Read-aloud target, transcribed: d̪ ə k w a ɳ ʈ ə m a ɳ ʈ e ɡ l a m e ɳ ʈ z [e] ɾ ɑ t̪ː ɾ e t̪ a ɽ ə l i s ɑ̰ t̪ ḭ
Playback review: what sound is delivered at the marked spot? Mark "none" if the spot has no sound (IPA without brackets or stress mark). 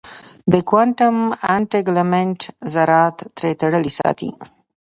a